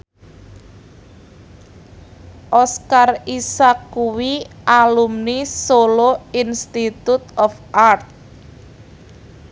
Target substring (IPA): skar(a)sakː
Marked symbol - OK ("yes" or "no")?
no